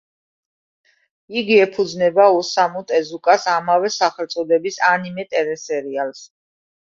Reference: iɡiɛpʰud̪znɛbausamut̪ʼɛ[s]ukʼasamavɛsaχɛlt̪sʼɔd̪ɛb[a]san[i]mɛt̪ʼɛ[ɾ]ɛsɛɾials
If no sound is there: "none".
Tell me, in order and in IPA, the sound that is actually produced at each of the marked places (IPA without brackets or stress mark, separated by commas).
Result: z, i, i, ɾ